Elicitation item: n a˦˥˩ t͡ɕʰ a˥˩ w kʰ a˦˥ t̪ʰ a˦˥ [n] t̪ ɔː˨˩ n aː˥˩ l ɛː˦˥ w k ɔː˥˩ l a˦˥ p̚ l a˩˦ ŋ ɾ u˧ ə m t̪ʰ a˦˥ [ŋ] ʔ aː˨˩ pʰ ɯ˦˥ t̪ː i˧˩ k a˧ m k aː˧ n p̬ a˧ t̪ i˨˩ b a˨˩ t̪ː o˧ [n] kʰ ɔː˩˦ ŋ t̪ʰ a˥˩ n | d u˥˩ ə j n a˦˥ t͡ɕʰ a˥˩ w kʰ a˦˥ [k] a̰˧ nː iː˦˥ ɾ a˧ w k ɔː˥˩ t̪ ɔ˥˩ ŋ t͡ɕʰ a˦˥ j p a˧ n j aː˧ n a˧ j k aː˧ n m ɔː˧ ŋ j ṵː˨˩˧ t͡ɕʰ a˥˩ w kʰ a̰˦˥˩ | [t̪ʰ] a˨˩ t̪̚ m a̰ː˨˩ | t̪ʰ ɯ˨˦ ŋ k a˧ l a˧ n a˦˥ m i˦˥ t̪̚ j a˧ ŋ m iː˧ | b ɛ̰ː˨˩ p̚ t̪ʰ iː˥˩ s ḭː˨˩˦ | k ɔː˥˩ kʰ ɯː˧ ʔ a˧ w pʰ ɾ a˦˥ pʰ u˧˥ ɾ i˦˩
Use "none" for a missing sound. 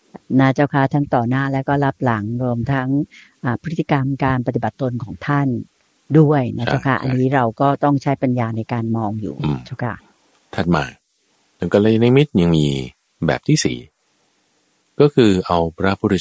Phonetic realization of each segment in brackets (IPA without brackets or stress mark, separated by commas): ŋ, ŋ, n, ʔ, t̪ʰ